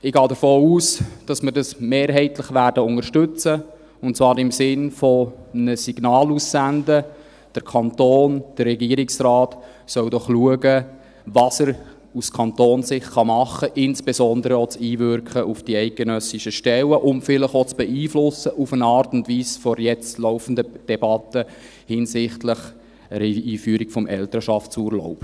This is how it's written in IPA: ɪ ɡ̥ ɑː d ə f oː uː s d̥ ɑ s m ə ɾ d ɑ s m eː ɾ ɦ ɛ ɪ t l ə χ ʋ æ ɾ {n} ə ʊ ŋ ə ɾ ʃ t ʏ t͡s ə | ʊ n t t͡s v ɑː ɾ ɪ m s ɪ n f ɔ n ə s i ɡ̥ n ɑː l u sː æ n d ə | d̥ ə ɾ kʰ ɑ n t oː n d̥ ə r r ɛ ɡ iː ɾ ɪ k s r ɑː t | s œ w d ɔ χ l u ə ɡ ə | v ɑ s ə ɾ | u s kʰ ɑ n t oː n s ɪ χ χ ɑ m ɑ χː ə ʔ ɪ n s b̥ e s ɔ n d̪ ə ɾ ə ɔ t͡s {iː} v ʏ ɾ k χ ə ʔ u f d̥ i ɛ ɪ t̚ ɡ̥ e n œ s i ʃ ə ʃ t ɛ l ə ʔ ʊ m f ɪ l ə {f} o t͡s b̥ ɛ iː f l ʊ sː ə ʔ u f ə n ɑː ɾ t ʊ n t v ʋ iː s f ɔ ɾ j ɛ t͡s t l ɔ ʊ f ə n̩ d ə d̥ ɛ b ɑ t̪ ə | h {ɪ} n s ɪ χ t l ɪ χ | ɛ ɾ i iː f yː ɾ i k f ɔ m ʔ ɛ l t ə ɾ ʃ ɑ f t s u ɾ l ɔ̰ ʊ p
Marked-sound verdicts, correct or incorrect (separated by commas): incorrect, correct, incorrect, correct